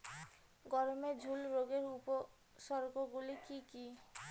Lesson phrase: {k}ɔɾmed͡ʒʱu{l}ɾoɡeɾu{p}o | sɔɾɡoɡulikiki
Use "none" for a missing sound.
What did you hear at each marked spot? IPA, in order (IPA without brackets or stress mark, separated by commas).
ɡ, l, p